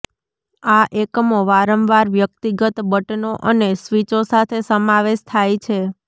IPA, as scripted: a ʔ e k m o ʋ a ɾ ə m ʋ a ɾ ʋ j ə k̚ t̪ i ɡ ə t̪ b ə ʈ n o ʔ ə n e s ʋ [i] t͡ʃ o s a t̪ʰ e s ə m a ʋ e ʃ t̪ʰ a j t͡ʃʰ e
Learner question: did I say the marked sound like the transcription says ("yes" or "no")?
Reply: yes